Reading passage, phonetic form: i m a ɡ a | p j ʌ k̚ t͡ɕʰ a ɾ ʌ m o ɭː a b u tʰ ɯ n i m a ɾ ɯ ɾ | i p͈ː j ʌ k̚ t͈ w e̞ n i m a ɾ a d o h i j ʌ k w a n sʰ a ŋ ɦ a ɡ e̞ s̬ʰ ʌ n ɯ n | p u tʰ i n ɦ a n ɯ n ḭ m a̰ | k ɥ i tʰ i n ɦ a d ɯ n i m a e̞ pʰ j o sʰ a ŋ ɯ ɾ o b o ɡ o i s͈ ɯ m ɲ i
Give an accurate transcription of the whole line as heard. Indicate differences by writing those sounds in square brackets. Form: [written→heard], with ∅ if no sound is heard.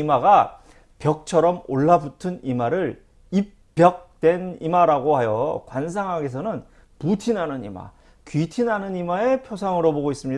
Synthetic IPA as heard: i m a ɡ a | p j ʌ k̚ t͡ɕʰ [a→ʌ] ɾ ʌ m o ɭː a b u tʰ ɯ n i m a ɾ ɯ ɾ | i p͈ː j ʌ k̚ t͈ w e̞ n i m a ɾ a [d→ɡ] o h [i→a] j ʌ k w a n sʰ a ŋ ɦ a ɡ e̞ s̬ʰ ʌ n ɯ n | p u tʰ i n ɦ a n ɯ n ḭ m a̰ | k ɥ i tʰ i n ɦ a [d→n] ɯ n i m a e̞ pʰ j o sʰ a ŋ ɯ ɾ o b o ɡ o i s͈ ɯ m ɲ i